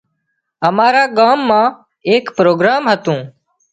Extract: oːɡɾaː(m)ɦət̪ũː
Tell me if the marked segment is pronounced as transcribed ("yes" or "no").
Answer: yes